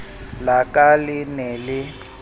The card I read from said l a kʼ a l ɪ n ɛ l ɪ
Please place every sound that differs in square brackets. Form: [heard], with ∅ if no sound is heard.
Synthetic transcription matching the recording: l a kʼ a l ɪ n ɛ l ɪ